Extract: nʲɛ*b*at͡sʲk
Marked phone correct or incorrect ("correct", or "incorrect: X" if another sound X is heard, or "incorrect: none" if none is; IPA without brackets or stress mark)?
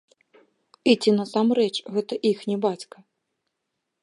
correct